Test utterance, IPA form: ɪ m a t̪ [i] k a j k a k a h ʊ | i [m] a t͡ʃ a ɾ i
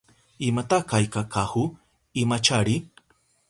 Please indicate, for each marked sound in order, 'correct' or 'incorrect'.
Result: incorrect, correct

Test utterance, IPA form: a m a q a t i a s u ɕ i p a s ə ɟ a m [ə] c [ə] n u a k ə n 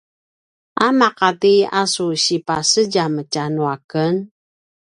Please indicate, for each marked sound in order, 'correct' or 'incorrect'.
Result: correct, incorrect

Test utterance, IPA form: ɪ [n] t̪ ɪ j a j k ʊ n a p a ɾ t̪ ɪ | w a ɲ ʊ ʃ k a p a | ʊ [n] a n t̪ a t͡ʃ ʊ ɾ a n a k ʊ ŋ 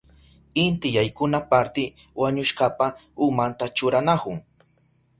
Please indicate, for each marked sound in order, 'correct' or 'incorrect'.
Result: correct, incorrect

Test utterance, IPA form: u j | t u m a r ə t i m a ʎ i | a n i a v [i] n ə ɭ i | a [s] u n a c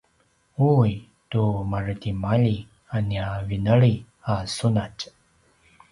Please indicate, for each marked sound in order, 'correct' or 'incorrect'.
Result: correct, correct

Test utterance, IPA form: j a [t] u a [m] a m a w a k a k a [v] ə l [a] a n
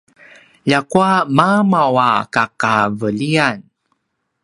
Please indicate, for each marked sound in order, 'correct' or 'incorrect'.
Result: incorrect, correct, correct, incorrect

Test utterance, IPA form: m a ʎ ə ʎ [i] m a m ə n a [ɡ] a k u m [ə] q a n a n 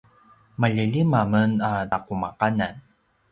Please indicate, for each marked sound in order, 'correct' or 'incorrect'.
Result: correct, incorrect, incorrect

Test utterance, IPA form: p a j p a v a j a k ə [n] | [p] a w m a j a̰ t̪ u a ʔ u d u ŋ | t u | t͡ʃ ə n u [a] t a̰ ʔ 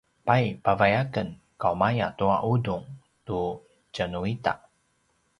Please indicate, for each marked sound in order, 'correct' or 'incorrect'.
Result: correct, incorrect, incorrect

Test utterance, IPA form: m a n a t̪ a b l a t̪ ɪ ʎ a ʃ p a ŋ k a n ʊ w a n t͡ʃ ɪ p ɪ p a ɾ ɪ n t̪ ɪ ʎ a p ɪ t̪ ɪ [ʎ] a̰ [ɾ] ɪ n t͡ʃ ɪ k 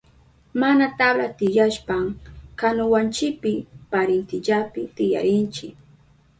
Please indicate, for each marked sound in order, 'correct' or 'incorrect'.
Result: incorrect, correct

